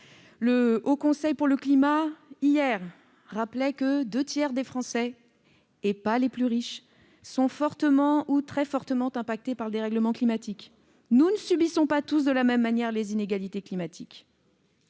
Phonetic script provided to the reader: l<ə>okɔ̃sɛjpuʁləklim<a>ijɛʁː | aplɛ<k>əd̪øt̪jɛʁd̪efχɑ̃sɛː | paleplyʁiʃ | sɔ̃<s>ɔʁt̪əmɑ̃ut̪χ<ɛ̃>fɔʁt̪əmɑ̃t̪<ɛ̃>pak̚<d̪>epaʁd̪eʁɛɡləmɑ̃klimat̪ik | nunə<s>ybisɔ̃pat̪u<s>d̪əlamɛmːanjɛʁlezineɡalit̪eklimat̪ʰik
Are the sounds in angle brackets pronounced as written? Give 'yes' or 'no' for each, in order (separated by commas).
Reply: yes, yes, yes, no, no, yes, no, yes, yes